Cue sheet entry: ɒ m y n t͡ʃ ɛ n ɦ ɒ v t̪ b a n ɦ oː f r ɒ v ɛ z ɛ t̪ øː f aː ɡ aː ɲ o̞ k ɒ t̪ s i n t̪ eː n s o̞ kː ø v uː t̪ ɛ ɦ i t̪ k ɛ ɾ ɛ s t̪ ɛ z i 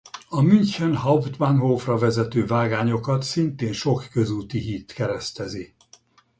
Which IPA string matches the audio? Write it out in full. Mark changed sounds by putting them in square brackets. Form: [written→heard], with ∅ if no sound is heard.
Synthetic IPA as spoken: ɒ m y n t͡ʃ ɛ n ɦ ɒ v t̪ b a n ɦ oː f r ɒ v ɛ z ɛ t̪ øː [f→v] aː ɡ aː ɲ o̞ k ɒ t̪ s i n t̪ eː n [s→ʃ] o̞ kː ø [v→z] uː t̪ [ɛ→i] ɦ i t̪ k ɛ ɾ ɛ s t̪ ɛ z i